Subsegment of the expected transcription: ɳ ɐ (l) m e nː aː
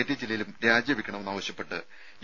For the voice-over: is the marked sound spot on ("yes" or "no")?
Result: no